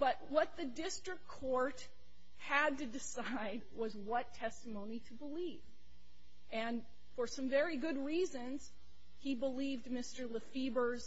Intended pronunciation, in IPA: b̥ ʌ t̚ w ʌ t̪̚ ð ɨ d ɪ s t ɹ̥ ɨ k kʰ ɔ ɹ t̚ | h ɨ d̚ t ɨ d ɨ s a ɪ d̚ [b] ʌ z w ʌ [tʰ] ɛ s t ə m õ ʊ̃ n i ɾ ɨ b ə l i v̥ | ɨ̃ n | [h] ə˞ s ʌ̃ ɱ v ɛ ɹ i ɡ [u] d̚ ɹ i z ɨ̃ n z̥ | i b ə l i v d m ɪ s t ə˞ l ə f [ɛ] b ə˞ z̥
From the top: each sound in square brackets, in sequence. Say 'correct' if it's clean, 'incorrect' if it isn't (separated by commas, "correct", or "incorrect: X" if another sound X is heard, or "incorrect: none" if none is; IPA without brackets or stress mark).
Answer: incorrect: w, correct, incorrect: f, incorrect: ʊ, incorrect: i